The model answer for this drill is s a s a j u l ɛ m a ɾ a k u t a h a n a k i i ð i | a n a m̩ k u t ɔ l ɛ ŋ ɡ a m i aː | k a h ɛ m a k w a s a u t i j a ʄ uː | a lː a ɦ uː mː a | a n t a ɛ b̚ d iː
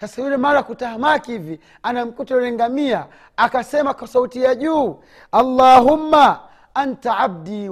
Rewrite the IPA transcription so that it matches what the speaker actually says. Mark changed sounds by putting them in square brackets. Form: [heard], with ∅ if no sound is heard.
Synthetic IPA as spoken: s a s a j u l ɛ m a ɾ a k u t a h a [m] a k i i [v] i | a n a m̩ k u t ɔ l ɛ ŋ ɡ a m i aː | k a [s] ɛ m a k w a s a u t i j a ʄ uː | a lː a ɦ [u] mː a | a n t a [a] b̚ d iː